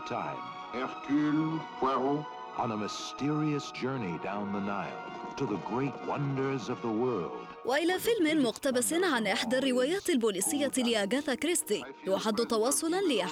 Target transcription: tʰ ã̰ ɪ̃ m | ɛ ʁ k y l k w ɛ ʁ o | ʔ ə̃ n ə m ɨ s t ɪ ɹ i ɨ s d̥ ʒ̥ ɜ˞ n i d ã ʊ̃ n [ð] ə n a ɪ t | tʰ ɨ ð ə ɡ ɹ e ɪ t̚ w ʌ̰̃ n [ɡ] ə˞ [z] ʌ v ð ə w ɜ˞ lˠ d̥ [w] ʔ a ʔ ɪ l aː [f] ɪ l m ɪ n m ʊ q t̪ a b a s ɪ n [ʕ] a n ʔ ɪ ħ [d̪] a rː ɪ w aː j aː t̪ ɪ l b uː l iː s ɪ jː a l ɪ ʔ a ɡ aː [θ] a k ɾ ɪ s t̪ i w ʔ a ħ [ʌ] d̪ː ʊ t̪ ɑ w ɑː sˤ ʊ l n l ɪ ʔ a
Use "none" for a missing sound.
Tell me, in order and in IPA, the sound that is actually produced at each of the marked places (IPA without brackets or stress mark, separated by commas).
ð, d, z, w, f, ʕ, d̪, θ, a